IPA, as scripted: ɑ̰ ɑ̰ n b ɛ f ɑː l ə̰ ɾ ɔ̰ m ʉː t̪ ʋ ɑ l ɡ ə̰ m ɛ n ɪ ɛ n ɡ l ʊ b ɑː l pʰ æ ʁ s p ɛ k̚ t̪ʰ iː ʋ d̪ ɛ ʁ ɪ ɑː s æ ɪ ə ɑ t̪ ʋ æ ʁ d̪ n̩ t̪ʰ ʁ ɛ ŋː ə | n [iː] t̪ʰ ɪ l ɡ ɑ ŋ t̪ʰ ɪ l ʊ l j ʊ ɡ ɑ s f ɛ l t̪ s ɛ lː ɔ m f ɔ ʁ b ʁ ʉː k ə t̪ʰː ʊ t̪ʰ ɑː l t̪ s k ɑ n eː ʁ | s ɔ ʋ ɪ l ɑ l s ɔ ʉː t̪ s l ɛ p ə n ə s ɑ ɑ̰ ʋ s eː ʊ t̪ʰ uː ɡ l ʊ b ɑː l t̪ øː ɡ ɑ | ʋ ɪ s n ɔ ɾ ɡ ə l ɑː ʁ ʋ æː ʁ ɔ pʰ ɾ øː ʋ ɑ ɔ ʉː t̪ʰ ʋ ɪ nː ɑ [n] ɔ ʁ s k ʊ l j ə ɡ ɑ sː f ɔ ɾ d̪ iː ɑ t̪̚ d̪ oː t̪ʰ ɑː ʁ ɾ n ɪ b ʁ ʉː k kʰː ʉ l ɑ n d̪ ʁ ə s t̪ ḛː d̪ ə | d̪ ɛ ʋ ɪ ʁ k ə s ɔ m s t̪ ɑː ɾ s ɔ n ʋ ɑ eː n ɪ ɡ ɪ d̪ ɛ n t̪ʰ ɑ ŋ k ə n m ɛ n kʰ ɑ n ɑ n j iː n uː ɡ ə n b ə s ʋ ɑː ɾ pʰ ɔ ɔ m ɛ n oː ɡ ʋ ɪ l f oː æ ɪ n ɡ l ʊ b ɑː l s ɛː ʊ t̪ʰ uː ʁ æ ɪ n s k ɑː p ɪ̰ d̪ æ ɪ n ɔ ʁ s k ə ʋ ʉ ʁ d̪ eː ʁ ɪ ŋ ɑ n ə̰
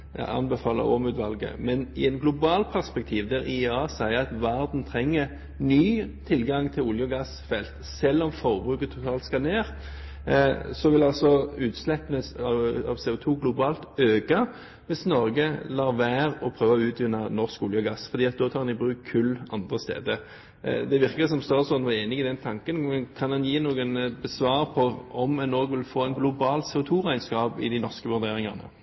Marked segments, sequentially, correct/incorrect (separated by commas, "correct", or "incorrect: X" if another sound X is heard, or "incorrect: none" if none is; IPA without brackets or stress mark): incorrect: yː, correct